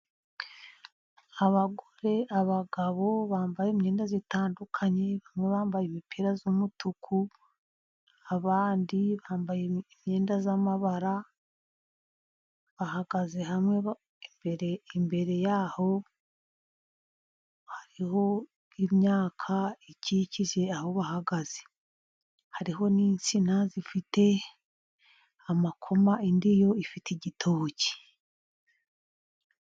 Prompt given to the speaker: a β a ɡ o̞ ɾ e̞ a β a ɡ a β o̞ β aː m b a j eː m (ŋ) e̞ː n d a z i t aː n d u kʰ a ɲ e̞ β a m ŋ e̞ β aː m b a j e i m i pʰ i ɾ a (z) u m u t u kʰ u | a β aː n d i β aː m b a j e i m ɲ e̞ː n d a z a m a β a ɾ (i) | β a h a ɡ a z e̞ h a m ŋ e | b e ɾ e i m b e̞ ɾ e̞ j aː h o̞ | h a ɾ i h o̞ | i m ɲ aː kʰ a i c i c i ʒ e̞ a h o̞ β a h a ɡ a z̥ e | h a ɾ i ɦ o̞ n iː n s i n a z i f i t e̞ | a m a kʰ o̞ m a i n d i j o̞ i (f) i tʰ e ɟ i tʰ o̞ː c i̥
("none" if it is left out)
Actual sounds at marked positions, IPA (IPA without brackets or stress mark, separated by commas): ɲ, z, a, f